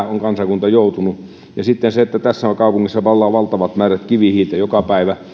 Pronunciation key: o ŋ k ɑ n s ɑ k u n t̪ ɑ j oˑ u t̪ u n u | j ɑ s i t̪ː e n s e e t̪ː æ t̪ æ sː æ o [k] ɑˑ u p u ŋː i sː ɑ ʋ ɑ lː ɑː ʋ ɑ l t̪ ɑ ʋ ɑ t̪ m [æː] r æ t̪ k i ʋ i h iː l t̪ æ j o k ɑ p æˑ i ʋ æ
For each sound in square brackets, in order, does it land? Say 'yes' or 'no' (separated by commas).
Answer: yes, yes